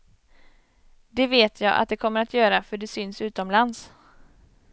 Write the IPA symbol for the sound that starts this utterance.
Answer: d̪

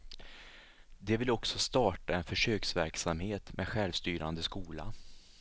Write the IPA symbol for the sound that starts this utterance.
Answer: d̪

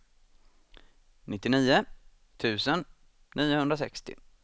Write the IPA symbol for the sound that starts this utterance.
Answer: n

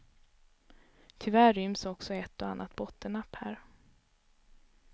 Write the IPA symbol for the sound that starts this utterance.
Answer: t̪ʰ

